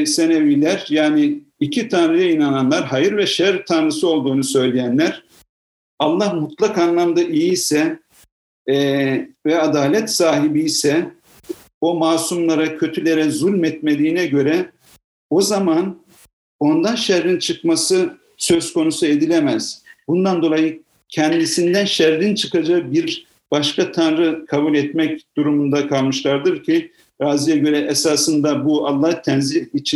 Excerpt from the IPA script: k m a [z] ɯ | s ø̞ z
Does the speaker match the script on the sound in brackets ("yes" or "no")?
no